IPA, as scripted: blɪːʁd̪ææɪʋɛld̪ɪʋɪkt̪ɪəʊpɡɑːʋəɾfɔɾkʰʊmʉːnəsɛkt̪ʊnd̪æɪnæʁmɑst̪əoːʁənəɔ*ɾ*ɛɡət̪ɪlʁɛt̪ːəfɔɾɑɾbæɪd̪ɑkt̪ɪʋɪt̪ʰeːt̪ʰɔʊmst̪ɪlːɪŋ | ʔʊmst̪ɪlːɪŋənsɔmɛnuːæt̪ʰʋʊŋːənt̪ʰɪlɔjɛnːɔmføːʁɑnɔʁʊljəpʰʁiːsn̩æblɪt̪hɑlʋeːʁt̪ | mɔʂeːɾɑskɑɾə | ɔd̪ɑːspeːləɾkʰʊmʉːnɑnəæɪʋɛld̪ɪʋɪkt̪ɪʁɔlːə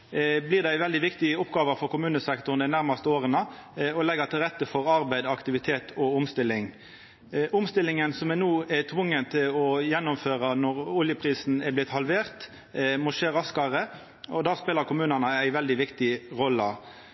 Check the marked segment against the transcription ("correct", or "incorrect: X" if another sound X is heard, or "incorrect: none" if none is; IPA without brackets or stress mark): incorrect: l